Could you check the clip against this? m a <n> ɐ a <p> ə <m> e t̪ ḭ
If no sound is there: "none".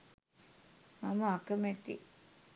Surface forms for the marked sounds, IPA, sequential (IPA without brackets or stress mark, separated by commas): m, k, m